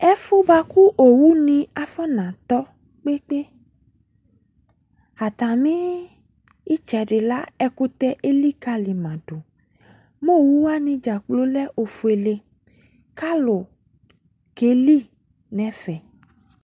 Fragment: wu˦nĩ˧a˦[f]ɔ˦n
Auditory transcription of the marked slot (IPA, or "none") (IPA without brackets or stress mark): f